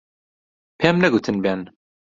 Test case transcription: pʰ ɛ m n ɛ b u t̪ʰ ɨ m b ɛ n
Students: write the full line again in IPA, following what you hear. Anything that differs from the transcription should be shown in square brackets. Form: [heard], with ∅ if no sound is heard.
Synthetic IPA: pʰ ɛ m n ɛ [ɡ] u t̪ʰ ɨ [n] b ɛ n